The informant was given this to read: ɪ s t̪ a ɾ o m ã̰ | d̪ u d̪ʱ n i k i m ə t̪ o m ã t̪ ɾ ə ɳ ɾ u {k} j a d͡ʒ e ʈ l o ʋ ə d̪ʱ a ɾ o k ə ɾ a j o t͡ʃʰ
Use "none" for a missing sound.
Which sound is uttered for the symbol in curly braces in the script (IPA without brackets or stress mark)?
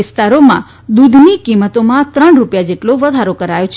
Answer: p